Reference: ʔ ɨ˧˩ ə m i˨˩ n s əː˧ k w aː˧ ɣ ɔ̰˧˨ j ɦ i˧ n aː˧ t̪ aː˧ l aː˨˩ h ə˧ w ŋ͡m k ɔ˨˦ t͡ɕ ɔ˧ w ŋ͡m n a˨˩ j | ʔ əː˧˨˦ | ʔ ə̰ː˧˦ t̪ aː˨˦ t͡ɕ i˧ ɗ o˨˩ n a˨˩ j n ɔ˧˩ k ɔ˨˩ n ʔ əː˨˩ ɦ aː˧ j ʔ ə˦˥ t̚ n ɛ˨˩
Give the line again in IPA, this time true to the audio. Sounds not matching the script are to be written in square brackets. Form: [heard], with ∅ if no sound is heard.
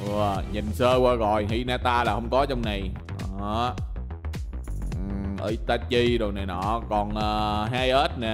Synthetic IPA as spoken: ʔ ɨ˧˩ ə [ɲ] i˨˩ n s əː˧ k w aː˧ ɣ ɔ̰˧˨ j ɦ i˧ n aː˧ t̪ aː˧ l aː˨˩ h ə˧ w ŋ͡m k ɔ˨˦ t͡ɕ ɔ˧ w ŋ͡m n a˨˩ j | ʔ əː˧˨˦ | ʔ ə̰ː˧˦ t̪ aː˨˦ t͡ɕ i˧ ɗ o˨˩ n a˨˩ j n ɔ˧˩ k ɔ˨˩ n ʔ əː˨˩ ɦ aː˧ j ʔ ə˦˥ t̚ n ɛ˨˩